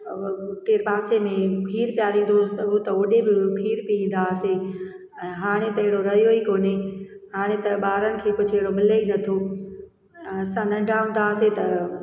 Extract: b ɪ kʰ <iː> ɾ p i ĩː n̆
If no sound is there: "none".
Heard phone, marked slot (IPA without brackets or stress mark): iː